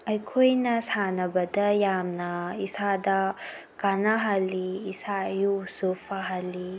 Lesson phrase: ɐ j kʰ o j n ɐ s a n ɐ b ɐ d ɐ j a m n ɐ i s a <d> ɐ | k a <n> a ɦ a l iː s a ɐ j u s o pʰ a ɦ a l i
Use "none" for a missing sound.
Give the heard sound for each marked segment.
d, n

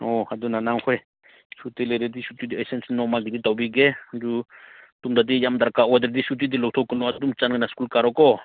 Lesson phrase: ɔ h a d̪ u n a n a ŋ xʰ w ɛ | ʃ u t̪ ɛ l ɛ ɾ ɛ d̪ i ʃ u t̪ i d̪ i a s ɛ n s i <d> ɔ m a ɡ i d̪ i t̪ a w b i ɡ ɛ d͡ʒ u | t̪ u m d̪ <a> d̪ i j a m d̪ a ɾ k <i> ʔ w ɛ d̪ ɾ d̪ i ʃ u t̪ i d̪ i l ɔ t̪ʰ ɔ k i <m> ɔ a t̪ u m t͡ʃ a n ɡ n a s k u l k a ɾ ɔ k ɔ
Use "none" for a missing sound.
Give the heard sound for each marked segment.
n, a, a, n

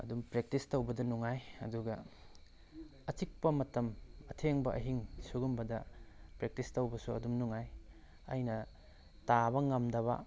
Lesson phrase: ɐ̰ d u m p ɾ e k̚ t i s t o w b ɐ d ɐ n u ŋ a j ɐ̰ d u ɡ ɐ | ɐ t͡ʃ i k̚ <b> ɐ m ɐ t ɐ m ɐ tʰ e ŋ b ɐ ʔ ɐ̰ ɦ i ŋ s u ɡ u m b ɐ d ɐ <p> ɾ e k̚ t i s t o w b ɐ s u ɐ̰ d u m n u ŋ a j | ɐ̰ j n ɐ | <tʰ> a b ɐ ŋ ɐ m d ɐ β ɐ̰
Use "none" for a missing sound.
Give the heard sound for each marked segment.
p, p, t

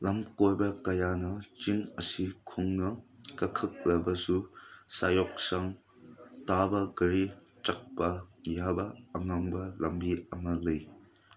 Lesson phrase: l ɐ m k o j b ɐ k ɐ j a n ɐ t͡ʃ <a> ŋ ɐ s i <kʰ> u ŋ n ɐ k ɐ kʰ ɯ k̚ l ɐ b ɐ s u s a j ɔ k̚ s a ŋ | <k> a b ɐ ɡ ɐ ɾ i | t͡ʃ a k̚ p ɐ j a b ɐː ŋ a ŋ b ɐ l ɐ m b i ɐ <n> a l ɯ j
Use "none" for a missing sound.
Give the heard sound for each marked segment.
i, kʰ, t, ŋ

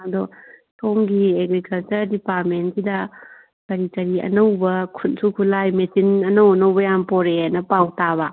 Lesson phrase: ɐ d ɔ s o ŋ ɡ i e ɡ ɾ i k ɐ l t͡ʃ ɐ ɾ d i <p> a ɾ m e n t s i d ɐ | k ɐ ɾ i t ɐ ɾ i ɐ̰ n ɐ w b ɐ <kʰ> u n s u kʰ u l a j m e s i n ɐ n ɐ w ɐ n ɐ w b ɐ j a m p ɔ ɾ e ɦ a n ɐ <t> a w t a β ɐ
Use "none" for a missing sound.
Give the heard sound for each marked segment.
p, kʰ, p

